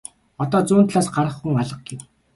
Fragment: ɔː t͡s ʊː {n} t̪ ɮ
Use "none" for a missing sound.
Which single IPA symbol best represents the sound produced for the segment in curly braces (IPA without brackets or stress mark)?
n